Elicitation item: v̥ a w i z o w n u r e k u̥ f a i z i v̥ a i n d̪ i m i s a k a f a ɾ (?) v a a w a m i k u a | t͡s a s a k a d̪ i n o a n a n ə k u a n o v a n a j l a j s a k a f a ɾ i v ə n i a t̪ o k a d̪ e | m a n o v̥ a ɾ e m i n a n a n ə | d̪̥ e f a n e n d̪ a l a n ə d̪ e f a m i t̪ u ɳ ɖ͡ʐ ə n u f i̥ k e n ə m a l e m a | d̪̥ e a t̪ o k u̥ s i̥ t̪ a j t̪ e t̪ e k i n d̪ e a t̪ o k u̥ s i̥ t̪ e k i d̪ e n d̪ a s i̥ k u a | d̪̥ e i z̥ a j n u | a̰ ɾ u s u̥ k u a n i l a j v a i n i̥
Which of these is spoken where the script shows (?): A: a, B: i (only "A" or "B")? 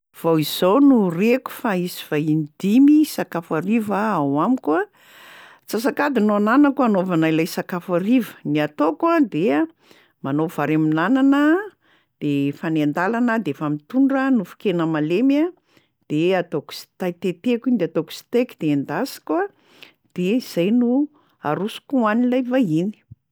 B